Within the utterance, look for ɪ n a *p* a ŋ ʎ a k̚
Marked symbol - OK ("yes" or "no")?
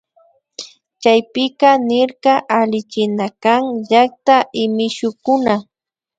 no